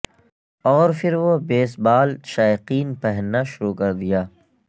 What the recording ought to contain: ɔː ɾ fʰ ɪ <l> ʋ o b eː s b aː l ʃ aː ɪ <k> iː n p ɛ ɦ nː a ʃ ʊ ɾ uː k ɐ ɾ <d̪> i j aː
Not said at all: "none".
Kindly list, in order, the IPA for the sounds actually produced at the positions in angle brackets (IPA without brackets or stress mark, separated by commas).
ɾ, q, d̪